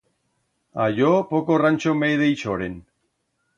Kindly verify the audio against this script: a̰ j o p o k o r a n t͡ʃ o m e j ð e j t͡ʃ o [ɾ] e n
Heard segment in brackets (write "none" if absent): ɾ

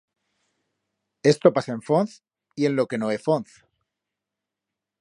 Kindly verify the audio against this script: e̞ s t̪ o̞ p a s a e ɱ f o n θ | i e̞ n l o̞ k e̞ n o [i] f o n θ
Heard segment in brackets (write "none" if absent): e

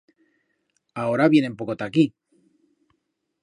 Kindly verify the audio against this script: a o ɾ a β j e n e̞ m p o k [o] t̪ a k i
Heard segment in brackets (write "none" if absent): o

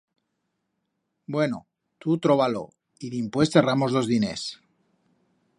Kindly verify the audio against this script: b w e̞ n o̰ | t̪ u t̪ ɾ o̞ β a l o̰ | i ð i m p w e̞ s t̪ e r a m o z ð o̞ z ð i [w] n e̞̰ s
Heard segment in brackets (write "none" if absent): none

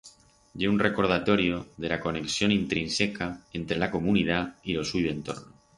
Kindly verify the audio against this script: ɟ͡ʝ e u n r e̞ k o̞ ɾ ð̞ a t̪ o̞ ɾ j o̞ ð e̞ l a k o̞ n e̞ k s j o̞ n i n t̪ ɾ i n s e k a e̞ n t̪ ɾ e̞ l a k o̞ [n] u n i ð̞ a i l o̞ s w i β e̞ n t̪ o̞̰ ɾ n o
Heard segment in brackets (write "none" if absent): m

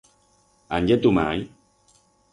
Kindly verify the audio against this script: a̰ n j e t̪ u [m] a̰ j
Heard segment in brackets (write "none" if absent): m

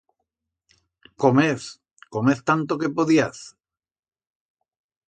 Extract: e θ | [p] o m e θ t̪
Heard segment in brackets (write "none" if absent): k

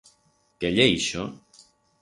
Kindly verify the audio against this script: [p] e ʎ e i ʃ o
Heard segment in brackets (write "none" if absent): k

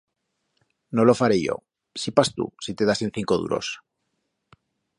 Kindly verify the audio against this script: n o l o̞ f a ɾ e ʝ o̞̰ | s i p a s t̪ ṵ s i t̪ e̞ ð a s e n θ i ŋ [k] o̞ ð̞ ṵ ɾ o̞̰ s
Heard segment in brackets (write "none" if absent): k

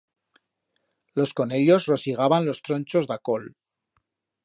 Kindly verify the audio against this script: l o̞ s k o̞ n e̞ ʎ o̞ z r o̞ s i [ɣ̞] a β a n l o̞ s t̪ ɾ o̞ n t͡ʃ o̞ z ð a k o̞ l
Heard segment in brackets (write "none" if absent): ɣ̞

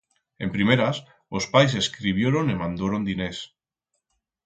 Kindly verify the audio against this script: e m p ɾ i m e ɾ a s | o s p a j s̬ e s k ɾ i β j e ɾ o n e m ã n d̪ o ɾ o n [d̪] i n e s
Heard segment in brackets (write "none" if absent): d̪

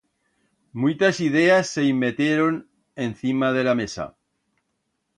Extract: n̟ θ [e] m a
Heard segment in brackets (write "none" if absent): i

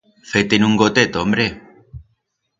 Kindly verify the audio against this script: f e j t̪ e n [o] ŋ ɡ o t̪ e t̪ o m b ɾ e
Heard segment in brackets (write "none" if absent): u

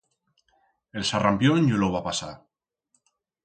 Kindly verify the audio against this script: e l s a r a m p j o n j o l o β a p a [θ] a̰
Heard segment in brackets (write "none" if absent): s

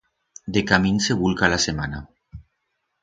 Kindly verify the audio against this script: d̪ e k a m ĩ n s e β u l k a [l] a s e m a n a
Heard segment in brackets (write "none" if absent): l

